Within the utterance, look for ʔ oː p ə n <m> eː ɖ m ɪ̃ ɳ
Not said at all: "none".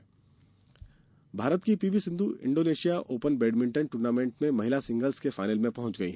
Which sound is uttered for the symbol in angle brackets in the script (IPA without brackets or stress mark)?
b